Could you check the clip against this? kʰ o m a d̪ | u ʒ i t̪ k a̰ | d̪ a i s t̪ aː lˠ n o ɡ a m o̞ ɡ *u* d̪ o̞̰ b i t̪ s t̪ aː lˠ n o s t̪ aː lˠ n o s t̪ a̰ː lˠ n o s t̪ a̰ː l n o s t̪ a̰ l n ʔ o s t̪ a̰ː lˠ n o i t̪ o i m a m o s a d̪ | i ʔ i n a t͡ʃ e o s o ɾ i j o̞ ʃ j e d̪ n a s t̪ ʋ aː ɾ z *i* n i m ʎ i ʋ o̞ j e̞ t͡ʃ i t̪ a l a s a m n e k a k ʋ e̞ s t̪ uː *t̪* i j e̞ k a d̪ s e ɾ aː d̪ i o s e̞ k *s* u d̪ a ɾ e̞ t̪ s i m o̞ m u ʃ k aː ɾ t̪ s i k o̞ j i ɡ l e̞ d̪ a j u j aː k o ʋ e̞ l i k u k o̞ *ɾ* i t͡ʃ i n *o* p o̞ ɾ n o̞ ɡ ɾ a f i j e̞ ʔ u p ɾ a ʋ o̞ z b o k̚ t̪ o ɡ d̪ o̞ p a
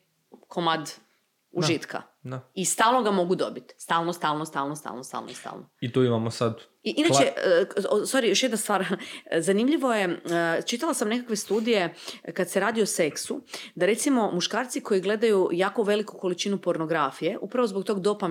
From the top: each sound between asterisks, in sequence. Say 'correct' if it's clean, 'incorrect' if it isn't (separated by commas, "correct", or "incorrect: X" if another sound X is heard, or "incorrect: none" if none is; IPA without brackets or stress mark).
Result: correct, incorrect: a, incorrect: d̪, correct, incorrect: l, incorrect: u